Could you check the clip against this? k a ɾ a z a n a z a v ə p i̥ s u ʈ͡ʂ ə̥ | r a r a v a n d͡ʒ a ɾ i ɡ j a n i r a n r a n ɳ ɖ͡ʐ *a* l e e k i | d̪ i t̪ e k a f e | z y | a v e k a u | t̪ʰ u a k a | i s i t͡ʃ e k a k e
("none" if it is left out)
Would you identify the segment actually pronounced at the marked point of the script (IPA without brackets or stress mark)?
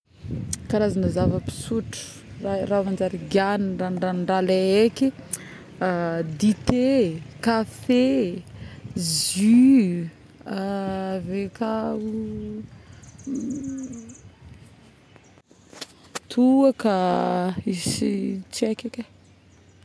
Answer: a